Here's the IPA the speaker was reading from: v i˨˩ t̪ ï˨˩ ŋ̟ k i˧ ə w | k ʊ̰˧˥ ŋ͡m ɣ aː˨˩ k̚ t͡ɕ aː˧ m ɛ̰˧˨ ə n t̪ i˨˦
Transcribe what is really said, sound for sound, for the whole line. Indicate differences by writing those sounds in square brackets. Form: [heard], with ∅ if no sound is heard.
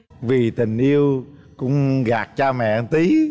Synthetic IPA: v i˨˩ t̪ ï˨˩ ŋ̟ [ʔ] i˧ ə w | k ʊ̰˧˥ ŋ͡m ɣ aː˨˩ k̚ t͡ɕ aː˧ m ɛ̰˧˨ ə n t̪ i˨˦